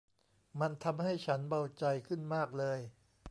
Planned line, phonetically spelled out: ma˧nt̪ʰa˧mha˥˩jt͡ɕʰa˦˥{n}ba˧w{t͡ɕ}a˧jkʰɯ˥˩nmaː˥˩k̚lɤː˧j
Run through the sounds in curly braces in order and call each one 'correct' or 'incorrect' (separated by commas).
correct, correct